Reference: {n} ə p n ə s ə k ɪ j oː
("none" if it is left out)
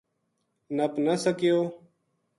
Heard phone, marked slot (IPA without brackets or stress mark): n